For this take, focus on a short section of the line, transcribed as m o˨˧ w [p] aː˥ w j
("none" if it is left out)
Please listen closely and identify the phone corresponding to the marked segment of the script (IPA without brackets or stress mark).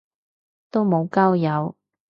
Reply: k